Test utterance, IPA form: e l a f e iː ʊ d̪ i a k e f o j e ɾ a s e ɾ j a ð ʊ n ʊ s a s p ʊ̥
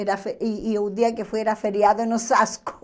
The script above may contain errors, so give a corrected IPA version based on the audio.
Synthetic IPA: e ɾ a f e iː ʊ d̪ i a k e f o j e ɾ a f e ɾ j a ð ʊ n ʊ s a s k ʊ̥